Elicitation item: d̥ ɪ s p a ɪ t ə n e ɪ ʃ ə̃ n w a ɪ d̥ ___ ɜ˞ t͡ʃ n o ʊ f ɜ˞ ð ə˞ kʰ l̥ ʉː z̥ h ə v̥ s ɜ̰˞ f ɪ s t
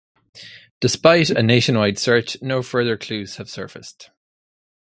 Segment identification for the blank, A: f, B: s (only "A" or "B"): B